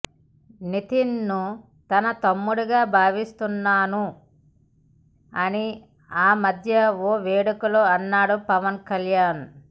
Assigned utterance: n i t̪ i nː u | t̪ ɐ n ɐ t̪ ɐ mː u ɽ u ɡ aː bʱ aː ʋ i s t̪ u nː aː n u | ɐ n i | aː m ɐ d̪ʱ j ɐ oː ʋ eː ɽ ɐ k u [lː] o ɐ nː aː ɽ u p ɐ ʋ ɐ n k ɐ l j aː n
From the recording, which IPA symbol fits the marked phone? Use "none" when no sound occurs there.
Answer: l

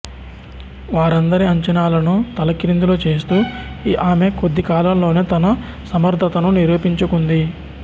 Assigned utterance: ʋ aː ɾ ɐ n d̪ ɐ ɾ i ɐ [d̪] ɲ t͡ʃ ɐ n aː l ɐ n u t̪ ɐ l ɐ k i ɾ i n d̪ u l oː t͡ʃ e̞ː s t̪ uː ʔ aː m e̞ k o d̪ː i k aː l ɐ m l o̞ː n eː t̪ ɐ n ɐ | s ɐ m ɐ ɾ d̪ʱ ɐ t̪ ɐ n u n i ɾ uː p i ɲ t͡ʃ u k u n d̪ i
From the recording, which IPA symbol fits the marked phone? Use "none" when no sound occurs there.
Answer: none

